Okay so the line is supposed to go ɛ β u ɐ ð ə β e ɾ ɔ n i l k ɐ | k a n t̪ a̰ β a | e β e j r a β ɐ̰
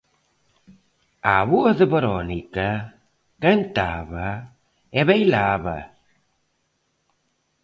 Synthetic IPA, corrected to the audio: a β u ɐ ð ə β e ɾ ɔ n i k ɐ | k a n t̪ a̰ β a | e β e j l a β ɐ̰